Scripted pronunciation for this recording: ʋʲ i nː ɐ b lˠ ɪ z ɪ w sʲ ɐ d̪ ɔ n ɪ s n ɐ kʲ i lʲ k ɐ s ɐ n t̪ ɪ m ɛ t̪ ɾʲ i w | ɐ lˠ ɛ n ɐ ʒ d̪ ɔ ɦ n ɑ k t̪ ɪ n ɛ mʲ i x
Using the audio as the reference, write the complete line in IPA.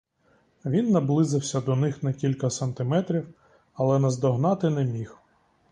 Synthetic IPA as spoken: ʋʲ i nː ɐ b lˠ ɪ z ɪ w sʲ ɐ d̪ ɔ n ɪ x n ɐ kʲ i lʲ k ɐ s ɐ n t̪ ɪ m ɛ t̪ ɾʲ i w | ɐ lˠ ɛ n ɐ z d̪ ɔ ɦ n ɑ t̪ ɪ n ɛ mʲ i x